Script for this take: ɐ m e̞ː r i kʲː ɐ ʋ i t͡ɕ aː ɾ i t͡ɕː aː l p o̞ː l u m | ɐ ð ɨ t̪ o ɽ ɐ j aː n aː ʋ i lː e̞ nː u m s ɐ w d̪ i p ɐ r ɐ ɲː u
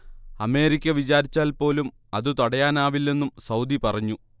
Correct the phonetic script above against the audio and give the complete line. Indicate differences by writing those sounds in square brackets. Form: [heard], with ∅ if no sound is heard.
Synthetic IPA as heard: ɐ m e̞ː [ɾ] i kʲː ɐ ʋ i t͡ɕ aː ɾ i t͡ɕː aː l p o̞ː l u m | ɐ ð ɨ t̪ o ɽ ɐ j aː n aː ʋ i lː e̞ nː u m s ɐ w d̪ i p ɐ r ɐ ɲː u